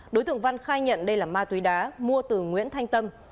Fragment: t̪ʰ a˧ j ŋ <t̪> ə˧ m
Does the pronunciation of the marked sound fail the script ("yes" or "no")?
no